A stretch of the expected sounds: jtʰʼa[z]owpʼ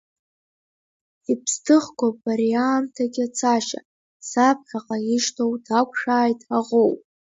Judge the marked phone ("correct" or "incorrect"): incorrect